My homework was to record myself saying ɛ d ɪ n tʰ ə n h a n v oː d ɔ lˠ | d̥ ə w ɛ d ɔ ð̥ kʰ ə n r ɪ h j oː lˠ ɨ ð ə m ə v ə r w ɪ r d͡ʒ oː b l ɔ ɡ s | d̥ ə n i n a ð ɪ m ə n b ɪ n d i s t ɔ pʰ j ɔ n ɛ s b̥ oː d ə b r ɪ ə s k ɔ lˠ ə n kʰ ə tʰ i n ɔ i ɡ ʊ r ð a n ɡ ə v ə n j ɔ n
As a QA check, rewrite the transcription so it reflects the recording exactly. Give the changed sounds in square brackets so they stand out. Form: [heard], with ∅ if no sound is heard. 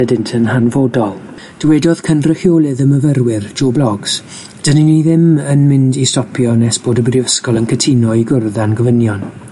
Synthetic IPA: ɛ d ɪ n tʰ ə n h a n v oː d ɔ lˠ | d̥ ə w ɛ d ɔ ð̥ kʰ ə n r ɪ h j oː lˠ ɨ ð ə m ə v ə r w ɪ r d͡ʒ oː b l ɔ ɡ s | d̥ ə n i n [i] ð ɪ m ə n [m] ɪ n d i s t ɔ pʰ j ɔ n ɛ s b̥ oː d ə b r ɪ ə s k ɔ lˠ ə n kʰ ə tʰ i n ɔ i ɡ ʊ r ð a n ɡ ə v ə n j ɔ n